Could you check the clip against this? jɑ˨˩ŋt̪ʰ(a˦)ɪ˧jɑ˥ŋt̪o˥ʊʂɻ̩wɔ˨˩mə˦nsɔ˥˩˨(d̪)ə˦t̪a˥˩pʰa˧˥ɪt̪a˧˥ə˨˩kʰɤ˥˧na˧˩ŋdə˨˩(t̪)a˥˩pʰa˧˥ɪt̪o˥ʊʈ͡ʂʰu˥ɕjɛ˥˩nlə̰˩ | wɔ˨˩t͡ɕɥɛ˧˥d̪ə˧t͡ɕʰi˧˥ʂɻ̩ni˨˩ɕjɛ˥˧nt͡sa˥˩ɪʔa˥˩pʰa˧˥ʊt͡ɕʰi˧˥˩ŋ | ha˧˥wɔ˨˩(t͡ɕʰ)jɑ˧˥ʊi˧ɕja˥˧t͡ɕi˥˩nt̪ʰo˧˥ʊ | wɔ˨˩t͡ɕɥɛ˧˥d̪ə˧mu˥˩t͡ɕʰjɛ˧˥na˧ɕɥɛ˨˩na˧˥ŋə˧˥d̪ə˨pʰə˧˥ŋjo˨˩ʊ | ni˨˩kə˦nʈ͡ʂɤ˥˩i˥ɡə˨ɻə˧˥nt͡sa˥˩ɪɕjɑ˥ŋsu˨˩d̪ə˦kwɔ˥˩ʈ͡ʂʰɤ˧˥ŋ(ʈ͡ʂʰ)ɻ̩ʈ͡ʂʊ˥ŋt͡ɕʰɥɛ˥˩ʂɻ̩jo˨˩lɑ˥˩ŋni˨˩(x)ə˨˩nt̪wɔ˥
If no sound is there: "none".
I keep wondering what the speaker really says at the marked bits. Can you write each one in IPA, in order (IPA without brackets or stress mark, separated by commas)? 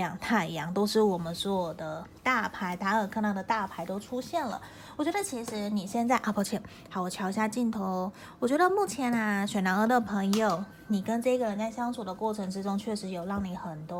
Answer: a˥˩, d̪, t̪, t͡ɕʰ, ʈ͡ʂ, x